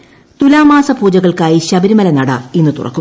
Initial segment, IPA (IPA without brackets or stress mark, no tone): t̪